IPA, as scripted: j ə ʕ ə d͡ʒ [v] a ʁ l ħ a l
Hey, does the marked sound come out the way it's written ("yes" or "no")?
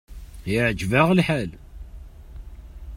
yes